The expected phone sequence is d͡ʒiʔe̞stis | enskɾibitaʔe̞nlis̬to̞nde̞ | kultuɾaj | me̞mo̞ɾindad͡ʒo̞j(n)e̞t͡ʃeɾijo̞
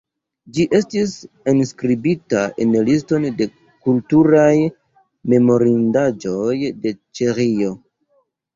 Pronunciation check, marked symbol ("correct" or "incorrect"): incorrect